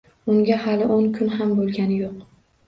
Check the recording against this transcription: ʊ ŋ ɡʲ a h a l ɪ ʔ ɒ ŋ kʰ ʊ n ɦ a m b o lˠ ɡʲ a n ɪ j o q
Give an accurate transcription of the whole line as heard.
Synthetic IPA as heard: ʊ ŋ ɡʲ a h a l ɪ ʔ o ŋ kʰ ʊ n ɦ a m b o lˠ ɡʲ a n ɪ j o q